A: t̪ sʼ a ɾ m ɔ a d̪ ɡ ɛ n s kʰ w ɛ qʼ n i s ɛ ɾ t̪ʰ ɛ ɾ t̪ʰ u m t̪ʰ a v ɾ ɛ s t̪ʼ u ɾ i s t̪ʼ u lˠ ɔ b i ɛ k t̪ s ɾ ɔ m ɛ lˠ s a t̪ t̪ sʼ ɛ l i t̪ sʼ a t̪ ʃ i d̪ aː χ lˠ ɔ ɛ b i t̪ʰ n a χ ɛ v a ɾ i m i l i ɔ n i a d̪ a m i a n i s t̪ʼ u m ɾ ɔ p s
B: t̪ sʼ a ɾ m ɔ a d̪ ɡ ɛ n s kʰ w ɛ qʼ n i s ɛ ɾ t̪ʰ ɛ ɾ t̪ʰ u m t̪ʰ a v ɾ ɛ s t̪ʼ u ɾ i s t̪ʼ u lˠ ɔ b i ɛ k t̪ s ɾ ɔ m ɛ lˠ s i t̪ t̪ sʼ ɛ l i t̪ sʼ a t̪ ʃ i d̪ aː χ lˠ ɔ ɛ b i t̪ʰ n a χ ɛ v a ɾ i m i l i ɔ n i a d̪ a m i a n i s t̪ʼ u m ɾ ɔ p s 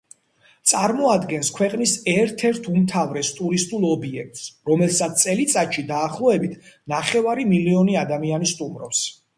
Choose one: A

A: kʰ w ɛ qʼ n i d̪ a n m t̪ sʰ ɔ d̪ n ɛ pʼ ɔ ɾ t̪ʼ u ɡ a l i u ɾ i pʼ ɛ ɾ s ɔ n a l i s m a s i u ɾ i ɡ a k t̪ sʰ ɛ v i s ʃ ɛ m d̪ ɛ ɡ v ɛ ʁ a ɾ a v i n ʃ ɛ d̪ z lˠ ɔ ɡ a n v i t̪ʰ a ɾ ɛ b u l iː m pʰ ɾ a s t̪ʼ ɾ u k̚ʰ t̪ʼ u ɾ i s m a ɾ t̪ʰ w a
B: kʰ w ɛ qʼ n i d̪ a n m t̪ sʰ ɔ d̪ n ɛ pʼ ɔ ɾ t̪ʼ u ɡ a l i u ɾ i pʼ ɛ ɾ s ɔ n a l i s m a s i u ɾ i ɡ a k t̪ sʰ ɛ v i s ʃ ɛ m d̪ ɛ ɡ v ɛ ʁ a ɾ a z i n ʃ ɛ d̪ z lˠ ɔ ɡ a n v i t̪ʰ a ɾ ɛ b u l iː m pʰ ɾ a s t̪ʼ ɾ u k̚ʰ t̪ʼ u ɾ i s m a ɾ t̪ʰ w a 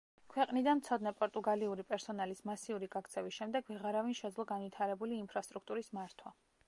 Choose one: A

